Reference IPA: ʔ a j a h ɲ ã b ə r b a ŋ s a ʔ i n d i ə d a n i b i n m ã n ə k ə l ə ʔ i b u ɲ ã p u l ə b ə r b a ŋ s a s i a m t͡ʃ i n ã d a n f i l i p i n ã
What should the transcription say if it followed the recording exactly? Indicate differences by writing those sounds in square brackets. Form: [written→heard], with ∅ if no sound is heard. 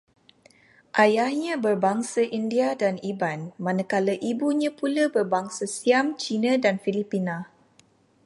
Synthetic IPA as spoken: ʔ a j a h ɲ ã b ə r b a ŋ s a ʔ i n d i [ə→a] d a n i b [i→a] n m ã n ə k [ə→a] l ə ʔ i b u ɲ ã p u l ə b ə r b a ŋ s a s i a m t͡ʃ i n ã d a n f i l i p i n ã